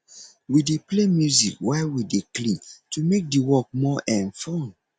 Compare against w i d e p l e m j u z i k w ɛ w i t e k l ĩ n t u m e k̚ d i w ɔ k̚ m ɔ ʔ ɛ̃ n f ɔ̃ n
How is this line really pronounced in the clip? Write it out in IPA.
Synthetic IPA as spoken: w i d e p l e m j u z i k w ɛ w i d e k l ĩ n t u m e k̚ d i w ɔ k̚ m ɔ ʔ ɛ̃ n f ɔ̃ n